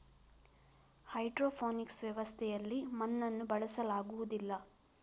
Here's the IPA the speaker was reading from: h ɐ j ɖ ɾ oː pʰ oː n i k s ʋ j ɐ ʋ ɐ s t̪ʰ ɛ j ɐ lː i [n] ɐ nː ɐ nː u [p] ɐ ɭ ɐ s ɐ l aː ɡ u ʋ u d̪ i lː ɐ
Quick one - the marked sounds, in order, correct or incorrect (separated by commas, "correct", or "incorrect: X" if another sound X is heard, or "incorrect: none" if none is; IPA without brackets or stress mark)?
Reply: incorrect: m, incorrect: b